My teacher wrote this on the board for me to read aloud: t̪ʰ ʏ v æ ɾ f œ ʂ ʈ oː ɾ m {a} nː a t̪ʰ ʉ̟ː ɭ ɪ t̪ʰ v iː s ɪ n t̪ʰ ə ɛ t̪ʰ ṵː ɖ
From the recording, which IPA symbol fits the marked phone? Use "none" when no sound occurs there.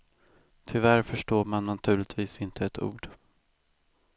a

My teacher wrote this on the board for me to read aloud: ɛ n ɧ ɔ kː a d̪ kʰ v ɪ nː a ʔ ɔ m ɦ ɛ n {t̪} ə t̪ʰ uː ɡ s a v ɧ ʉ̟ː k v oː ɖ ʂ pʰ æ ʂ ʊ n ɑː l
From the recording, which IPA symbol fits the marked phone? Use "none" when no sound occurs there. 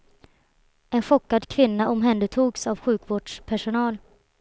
d̪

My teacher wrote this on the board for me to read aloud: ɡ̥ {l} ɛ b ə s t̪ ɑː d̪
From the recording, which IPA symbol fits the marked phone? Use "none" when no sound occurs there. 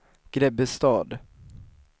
ɾ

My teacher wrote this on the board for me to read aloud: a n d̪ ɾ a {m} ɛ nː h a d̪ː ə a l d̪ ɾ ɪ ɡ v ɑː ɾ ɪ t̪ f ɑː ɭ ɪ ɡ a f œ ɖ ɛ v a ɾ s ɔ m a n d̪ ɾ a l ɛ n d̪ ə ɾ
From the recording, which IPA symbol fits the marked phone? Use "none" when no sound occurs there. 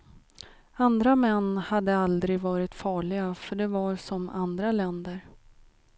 m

